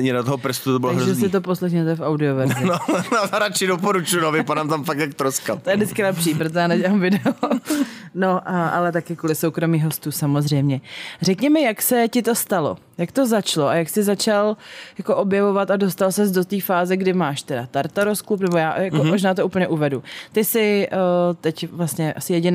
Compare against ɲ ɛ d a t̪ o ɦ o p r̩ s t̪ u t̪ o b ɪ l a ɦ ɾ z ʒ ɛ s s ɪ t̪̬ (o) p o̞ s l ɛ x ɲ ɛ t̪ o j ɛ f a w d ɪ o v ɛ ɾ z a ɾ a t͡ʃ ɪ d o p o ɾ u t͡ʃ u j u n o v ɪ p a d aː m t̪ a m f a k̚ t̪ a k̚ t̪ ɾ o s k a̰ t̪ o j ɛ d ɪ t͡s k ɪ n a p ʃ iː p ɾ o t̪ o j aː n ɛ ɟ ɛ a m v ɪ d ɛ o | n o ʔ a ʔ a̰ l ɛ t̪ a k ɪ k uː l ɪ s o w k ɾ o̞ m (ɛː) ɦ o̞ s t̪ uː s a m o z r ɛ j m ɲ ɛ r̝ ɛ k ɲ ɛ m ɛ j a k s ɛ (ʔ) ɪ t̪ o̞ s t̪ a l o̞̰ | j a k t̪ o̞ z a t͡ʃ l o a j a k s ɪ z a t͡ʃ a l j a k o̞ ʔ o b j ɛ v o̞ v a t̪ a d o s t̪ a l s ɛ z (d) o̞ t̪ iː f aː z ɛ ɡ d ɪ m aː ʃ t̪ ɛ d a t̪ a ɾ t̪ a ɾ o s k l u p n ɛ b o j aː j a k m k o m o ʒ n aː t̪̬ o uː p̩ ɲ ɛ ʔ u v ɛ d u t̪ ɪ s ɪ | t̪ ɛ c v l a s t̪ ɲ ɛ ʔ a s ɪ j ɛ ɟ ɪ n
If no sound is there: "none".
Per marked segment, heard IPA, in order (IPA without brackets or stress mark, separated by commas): o, iː, c, d